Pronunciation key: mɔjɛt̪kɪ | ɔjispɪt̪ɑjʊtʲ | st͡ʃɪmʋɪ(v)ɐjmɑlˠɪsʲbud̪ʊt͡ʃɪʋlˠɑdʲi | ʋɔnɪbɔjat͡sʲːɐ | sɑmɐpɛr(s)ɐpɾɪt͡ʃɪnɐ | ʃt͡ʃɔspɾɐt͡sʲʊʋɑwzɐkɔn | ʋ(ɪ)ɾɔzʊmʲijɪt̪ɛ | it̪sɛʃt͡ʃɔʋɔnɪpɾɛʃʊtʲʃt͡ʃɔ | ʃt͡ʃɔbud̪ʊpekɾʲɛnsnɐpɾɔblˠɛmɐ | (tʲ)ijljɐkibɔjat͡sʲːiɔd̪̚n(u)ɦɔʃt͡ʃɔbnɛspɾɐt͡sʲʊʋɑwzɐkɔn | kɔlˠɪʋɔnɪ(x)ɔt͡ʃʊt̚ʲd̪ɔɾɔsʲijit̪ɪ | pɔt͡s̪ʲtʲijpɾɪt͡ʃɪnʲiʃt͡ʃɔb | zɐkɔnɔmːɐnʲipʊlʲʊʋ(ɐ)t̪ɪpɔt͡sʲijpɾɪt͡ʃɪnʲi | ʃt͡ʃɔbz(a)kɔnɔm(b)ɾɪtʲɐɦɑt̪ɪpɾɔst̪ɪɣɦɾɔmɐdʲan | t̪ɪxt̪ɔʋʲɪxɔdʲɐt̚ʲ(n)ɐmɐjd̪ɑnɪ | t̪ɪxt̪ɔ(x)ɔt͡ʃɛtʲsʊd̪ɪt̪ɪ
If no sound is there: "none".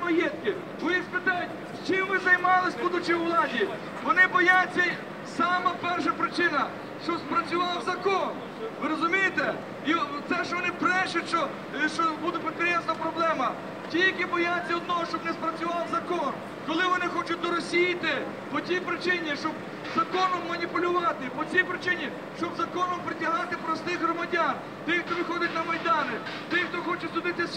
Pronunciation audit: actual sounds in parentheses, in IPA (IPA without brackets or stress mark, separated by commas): z, ʃ, ɪ, tʲ, ɔ, x, ɑ, ɐ, p, n, x